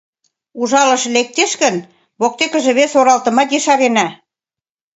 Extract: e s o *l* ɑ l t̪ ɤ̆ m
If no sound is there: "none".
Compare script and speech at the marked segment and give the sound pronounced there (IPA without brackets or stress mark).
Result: ɾ